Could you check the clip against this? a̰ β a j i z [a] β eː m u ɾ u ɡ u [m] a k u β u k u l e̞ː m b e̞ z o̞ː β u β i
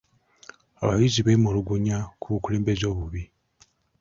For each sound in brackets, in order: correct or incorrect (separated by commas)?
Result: incorrect, incorrect